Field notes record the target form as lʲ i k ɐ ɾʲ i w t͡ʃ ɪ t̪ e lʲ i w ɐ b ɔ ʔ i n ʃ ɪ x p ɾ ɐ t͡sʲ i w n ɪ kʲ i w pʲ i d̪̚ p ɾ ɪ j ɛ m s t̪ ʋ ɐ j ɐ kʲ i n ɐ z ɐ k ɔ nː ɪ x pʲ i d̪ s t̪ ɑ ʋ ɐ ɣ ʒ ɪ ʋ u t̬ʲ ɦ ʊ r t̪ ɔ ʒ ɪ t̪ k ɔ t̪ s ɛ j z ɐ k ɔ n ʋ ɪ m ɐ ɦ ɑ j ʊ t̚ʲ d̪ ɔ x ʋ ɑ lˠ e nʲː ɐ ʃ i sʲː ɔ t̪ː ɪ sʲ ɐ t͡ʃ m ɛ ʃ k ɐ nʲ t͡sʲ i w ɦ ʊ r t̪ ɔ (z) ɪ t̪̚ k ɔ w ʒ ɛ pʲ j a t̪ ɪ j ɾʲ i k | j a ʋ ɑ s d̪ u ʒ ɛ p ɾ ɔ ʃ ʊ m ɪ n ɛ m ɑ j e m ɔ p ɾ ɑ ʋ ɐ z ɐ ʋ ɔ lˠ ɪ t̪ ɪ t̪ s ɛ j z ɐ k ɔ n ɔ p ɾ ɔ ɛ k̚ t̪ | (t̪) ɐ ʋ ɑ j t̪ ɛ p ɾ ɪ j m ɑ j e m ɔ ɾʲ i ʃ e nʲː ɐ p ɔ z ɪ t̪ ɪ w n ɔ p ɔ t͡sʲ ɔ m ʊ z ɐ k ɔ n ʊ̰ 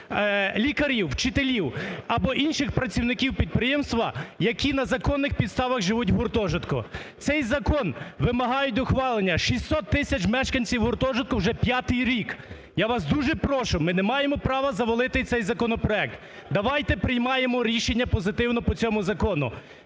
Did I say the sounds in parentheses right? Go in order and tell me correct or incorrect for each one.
incorrect: ʒ, incorrect: d̪

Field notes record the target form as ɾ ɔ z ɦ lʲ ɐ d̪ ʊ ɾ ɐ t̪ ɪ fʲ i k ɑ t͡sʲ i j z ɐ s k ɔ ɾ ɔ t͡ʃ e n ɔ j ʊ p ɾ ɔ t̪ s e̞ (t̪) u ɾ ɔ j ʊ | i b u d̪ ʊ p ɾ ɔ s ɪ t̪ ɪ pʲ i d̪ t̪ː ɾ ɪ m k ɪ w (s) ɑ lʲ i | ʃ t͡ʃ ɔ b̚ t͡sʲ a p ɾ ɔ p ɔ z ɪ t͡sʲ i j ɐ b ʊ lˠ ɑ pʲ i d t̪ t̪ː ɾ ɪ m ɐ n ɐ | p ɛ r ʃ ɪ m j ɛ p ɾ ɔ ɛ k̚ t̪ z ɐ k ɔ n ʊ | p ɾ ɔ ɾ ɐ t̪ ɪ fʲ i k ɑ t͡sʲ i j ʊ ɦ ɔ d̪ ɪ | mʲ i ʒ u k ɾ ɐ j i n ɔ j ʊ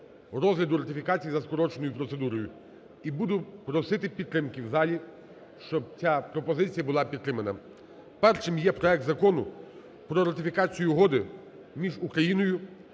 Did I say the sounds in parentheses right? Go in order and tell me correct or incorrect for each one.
incorrect: d̪, incorrect: z

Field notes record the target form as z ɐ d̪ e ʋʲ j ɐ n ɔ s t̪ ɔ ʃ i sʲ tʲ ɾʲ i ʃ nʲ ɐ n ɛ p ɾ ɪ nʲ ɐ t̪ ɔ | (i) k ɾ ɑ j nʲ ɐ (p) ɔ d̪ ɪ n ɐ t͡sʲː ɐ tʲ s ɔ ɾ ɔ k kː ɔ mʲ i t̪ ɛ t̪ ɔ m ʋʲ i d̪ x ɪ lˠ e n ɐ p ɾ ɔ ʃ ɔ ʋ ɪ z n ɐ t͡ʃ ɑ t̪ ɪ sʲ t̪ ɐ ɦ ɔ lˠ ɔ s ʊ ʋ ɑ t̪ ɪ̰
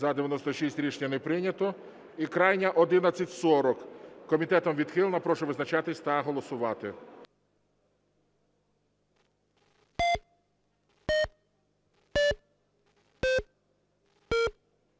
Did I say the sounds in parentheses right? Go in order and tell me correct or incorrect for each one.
correct, incorrect: ʔ

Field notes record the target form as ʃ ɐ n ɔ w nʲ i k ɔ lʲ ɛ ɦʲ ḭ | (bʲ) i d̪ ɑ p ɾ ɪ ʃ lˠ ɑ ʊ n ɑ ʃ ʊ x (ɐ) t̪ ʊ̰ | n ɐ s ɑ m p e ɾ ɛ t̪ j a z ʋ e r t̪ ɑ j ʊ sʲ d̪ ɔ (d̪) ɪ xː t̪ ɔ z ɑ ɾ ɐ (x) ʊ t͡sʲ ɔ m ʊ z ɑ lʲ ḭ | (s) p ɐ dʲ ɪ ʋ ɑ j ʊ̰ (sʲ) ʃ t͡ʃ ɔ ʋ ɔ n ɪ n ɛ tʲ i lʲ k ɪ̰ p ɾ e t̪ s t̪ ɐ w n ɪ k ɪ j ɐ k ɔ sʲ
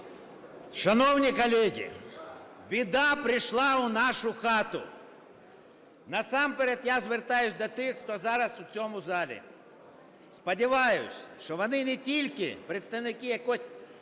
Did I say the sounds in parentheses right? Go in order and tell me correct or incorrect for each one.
correct, incorrect: ɑ, incorrect: t̪, incorrect: s, correct, correct

